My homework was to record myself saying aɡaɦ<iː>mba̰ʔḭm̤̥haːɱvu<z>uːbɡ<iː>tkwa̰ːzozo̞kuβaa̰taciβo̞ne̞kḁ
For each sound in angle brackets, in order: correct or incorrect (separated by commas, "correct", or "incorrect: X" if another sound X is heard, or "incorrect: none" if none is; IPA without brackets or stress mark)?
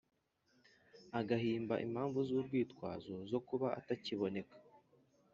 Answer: correct, correct, correct